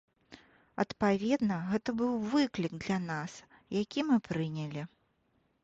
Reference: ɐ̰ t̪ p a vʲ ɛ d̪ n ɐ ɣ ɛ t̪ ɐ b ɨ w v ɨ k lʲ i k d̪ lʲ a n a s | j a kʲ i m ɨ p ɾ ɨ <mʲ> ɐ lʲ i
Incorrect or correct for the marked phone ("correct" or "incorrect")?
incorrect